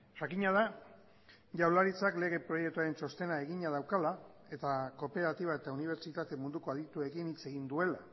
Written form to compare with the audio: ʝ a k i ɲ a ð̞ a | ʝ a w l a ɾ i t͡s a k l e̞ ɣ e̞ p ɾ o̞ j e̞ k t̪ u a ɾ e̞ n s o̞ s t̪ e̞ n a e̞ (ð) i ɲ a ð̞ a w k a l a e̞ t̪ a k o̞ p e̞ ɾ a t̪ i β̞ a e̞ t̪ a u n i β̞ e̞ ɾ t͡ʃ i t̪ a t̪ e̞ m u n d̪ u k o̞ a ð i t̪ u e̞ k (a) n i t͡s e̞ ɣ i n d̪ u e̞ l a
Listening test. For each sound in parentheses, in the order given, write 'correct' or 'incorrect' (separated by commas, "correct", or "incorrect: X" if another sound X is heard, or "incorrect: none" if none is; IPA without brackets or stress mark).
incorrect: ɣ, incorrect: i